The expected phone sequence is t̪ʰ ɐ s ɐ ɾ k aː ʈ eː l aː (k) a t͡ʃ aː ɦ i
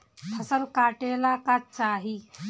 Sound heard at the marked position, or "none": k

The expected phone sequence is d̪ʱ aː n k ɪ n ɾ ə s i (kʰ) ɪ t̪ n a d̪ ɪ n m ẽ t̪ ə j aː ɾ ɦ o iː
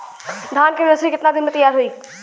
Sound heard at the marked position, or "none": k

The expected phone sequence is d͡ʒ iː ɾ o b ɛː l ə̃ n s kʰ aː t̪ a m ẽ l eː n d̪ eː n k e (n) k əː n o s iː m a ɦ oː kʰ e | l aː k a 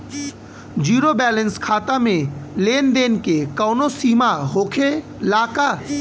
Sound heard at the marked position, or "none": none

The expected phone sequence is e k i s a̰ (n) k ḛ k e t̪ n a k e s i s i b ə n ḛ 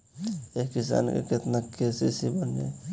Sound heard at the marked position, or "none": n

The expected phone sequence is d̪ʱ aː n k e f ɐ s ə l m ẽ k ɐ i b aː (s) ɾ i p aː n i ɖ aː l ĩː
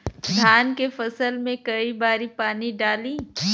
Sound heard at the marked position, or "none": none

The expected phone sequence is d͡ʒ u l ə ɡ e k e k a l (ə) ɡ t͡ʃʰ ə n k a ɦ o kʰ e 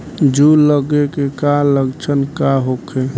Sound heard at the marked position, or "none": ə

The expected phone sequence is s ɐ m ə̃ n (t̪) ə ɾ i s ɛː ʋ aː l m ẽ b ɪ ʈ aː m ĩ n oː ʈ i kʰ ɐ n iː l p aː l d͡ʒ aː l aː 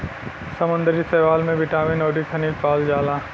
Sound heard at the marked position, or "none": d̪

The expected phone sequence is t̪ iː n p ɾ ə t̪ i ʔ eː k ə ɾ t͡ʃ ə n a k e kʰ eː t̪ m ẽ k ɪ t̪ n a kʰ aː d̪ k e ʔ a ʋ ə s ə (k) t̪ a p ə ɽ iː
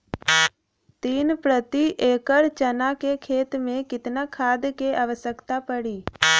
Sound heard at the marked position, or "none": k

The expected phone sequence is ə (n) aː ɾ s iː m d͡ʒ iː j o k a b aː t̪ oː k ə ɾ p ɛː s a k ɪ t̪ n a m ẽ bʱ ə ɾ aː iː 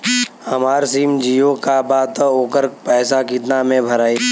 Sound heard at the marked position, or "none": m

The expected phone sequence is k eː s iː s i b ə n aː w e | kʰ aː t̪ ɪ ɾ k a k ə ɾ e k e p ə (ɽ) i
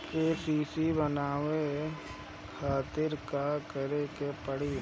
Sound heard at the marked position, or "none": ɽ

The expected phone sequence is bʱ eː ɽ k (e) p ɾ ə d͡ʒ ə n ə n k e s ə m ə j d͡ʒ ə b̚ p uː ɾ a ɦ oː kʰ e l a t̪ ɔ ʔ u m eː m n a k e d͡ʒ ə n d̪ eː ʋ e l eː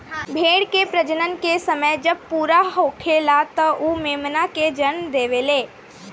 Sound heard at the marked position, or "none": e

